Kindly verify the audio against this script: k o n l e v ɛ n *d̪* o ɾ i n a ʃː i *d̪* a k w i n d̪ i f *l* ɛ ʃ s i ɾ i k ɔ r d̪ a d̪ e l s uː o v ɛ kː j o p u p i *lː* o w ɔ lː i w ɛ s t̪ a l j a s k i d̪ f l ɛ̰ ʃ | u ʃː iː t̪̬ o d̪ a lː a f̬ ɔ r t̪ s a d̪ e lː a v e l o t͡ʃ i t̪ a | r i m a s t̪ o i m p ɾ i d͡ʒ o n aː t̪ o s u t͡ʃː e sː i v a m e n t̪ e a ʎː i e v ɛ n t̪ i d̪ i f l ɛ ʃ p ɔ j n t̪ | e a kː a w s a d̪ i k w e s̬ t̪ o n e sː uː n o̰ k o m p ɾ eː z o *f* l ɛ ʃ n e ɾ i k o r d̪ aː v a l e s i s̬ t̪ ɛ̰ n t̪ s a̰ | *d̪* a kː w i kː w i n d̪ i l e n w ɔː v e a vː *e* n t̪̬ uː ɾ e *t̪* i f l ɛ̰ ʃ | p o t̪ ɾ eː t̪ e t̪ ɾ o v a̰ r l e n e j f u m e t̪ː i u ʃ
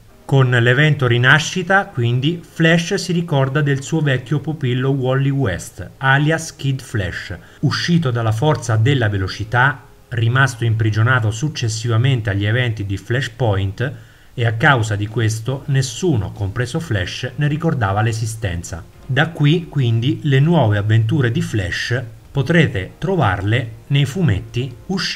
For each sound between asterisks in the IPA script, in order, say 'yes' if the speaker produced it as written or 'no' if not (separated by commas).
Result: no, no, yes, yes, yes, yes, yes, no